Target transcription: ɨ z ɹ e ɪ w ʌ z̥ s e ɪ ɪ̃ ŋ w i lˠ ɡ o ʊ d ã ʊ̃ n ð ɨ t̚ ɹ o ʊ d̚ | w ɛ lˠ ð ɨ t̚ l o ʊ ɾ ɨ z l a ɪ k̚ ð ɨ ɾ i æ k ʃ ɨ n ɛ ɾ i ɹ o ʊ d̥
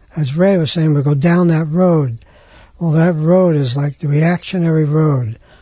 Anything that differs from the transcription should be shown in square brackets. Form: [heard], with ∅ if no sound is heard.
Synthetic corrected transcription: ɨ z ɹ e ɪ w ʌ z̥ s e ɪ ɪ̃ ŋ w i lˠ ɡ o ʊ d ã ʊ̃ n ð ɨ t̚ ɹ o ʊ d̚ | w ɛ lˠ ð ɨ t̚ [ɹ] o ʊ ɾ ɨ z l a ɪ k̚ ð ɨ [ɹ] i æ k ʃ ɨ n ɛ [ɹ] i ɹ o ʊ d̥